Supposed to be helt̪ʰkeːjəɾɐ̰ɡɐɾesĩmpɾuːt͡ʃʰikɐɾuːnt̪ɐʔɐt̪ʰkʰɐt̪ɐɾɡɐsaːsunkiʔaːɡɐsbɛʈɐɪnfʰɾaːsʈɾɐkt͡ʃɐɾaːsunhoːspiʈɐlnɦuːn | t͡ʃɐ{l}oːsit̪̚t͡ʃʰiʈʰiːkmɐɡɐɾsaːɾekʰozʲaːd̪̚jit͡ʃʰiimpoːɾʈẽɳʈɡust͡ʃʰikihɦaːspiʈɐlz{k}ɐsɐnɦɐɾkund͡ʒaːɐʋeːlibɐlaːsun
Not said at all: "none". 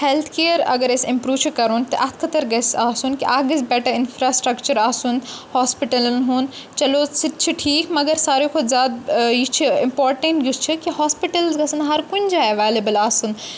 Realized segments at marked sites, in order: l, ɡ

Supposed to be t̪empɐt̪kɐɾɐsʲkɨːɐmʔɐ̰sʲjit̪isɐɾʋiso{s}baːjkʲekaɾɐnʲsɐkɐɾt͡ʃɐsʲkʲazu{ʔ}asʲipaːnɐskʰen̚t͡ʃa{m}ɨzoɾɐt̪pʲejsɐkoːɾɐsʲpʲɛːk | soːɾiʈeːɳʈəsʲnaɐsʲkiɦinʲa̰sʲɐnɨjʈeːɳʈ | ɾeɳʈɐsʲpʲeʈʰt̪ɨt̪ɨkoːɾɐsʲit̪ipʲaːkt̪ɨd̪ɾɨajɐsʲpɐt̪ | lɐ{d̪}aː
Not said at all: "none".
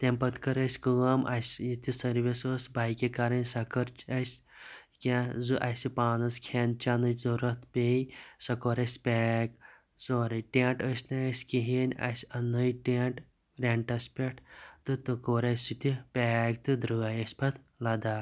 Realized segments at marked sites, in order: s, ʔ, n, d̪

